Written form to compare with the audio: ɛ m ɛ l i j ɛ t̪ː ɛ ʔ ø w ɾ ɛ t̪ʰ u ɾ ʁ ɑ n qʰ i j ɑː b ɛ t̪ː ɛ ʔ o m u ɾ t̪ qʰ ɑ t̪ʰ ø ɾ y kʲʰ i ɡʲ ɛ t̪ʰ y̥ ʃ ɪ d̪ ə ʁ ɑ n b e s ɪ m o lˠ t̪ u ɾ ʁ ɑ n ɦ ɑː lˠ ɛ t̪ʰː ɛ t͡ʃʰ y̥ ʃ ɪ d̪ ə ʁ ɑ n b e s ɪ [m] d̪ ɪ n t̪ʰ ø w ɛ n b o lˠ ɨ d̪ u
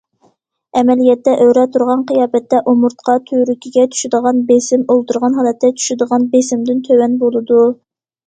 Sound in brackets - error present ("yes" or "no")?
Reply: no